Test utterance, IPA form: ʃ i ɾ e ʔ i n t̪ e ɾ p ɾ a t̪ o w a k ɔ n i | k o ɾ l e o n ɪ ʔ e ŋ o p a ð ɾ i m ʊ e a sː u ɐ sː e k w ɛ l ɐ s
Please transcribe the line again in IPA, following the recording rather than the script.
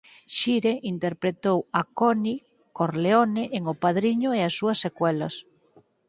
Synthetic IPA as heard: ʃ i ɾ e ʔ i n t̪ e ɾ p ɾ e t̪ o w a k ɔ n i | k o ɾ l e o n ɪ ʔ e ŋ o p a ð ɾ i ɲ ʊ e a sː u ɐ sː e k w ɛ l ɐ s

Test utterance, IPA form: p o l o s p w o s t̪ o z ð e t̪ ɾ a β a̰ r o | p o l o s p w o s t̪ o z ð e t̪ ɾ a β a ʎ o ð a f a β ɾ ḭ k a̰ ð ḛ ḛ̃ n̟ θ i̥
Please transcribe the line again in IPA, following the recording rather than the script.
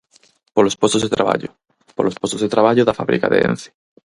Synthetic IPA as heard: p o l o s p w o s t̪ o z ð e t̪ ɾ a β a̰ ʎ o | p o l o s p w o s t̪ o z ð e t̪ ɾ a β a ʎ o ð a f a β ɾ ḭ k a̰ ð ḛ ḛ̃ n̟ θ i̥

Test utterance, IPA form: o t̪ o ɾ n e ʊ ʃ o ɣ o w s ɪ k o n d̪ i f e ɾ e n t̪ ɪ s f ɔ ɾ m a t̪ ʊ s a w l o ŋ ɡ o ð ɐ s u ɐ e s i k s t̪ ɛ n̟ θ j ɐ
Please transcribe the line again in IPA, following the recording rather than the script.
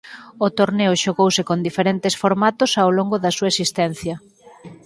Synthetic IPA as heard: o t̪ o ɾ n e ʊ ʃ o ɣ o w s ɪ k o n d̪ i f e ɾ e n t̪ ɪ s f o ɾ m a t̪ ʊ s a w l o ŋ ɡ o ð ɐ s u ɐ e s i s t̪ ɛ n̟ θ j ɐ

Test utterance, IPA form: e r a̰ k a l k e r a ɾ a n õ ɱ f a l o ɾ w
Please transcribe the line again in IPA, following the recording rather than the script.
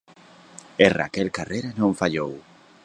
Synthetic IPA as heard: e r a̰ k e l k a r e ɾ a n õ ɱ f a ʎ o w

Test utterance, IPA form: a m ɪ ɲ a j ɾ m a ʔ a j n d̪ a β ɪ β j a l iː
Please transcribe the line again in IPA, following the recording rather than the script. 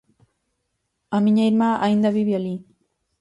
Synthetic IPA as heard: a m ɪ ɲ a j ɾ m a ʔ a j n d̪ a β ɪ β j a l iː

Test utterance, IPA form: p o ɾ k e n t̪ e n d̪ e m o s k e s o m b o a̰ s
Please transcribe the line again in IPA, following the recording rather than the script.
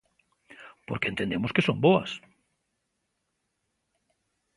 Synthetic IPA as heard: p o ɾ k e n t̪ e n d̪ e m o s k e s o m b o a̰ s

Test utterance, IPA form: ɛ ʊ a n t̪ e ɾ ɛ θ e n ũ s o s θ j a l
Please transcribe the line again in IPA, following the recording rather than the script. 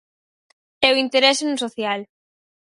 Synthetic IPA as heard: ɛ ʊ i n t̪ e ɾ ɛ s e n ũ s o θ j a l

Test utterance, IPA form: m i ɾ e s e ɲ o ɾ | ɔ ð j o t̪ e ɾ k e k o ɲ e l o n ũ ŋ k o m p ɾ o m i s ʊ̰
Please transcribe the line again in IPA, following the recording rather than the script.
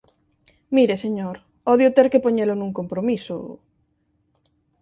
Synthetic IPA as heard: m i ɾ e s e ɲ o ɾ | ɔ ð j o t̪ e ɾ k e p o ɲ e l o n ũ ŋ k o m p ɾ o m i s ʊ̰

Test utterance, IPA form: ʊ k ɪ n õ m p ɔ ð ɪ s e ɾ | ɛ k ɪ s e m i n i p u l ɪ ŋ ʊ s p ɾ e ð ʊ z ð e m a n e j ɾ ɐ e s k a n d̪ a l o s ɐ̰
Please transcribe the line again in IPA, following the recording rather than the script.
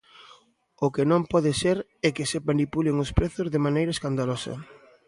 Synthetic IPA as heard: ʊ k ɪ n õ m p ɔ ð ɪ s e ɾ | ɛ k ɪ s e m a n i p u l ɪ ŋ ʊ s p ɾ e θ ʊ z ð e m a n e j ɾ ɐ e s k a n d̪ a l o s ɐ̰

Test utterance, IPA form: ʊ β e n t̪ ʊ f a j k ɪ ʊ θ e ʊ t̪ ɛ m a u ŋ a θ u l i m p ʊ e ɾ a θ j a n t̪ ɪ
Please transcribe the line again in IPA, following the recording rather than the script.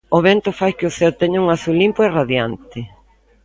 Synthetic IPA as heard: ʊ β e n t̪ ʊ f a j k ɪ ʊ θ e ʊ t̪ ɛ ɲ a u ŋ a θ u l i m p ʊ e r a ð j a n t̪ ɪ

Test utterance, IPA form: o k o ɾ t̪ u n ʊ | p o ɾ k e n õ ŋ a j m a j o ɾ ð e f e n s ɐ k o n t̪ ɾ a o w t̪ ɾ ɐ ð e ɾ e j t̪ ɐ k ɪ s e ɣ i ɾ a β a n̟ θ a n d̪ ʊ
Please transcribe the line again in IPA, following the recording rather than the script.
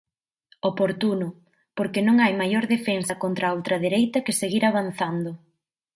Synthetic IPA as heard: o p o ɾ t̪ u n ʊ | p o ɾ k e n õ ŋ a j m a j o ɾ ð e f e n s ɐ k o n t̪ ɾ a o w t̪ ɾ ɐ ð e ɾ e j t̪ ɐ k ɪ s e ɣ i ɾ a β a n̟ θ a n d̪ ʊ

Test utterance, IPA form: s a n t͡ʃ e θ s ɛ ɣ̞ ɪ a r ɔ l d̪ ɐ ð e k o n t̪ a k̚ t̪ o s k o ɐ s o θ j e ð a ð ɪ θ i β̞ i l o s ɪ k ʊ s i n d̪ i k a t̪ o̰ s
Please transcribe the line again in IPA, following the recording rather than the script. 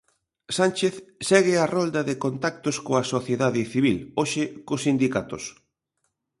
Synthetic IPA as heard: s a n t͡ʃ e θ s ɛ ɣ̞ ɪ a r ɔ l d̪ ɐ ð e k o n t̪ a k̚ t̪ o s k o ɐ s o θ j e ð a ð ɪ θ i β̞ i l o ʃ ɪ k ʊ s i n d̪ i k a t̪ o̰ s

